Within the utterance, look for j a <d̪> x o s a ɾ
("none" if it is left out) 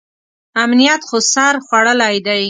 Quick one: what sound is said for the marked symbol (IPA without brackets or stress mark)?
t̪